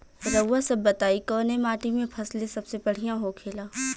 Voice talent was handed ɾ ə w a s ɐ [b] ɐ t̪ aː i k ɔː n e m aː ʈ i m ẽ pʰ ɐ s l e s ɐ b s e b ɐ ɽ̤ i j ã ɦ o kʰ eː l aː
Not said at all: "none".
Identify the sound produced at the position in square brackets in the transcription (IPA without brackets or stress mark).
bː